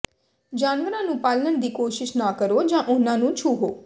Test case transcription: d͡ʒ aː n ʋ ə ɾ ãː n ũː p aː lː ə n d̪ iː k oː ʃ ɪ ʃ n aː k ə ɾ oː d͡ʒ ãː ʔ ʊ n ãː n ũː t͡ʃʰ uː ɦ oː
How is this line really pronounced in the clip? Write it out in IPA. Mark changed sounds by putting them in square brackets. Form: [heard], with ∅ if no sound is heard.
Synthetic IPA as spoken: d͡ʒ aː n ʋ ə ɾ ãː n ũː p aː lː ə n d̪ iː k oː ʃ ɪ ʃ n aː k ə ɾ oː d͡ʒ ãː ʔ ʊ n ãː n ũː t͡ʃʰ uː ɦ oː